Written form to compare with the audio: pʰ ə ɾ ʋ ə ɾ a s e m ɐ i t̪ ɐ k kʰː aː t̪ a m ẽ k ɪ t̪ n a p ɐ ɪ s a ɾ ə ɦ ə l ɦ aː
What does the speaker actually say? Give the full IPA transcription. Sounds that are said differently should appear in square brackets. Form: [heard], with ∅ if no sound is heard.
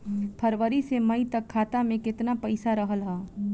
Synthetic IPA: pʰ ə ɾ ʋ ə ɾ [i] s e m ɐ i t̪ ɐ k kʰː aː t̪ a m ẽ k ɪ t̪ n a p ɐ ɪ s a ɾ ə ɦ ə l ɦ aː

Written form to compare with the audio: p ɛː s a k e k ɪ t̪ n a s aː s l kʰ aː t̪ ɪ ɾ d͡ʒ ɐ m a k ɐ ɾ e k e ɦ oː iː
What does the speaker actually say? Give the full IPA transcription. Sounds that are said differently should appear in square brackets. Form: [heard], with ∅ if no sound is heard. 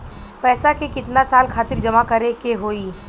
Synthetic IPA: p ɛː s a k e k ɪ t̪ n a s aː [∅] l kʰ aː t̪ ɪ ɾ d͡ʒ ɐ m a k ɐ ɾ e k e ɦ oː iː

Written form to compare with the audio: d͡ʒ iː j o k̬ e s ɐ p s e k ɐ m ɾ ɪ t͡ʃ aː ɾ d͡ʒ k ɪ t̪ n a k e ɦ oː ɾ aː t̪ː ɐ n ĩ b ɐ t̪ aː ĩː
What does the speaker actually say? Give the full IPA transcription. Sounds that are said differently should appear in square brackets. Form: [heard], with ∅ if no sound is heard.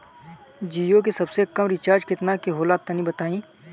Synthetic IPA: d͡ʒ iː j o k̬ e s ɐ [b] s e k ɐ m ɾ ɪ t͡ʃ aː ɾ d͡ʒ k ɪ t̪ n a k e ɦ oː [l] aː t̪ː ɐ n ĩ b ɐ t̪ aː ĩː

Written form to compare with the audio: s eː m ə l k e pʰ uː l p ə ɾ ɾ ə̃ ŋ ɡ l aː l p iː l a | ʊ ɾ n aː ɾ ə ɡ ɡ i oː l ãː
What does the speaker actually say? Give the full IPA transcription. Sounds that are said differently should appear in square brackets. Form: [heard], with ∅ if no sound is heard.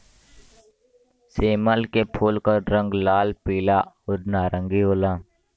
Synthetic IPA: s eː m ə l k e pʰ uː l [k] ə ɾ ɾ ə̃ ŋ ɡ l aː l p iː l a | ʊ ɾ n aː ɾ ə [ŋ] ɡ i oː l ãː

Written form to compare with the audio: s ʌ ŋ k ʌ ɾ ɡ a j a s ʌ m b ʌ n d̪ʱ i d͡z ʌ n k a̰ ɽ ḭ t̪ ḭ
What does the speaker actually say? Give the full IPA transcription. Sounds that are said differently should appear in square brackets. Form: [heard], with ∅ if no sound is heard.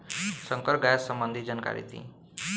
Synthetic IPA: s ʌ ŋ k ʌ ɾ ɡ a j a s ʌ m b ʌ n d̪ʱ i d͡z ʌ n k a̰ [ɾ] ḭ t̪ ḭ

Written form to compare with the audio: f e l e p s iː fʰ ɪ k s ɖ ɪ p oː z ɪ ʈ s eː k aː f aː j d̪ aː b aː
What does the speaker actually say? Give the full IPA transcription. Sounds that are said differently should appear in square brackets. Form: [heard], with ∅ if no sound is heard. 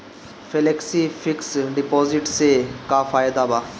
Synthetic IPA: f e l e [k] s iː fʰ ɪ k s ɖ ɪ p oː z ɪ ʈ s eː k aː f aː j d̪ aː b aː

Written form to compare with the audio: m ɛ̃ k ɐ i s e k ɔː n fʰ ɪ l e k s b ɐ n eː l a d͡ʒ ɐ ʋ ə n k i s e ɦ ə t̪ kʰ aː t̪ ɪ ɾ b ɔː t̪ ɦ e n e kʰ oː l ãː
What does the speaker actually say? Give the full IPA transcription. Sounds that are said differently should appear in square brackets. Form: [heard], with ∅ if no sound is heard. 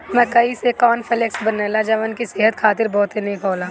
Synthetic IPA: m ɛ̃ k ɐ i s e k ɔː n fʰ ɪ l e k s b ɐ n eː l a d͡ʒ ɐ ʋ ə n k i s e ɦ ə t̪ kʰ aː t̪ ɪ ɾ b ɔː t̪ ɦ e n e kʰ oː l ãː

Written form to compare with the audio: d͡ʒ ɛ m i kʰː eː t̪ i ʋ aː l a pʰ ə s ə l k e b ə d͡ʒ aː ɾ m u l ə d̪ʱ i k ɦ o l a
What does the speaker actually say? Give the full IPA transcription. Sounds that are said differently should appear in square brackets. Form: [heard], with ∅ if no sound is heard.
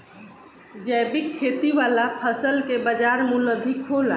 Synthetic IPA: d͡ʒ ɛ [b] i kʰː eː t̪ i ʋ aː l a pʰ ə s ə l k e b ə d͡ʒ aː ɾ m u l ə d̪ʱ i k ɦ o l a

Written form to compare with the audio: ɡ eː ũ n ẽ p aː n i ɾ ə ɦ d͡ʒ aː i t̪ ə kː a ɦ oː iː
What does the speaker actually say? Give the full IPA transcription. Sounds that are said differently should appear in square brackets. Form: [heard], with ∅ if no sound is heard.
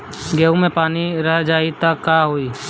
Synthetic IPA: ɡ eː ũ [m] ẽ p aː n i ɾ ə ɦ d͡ʒ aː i t̪ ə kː a ɦ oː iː

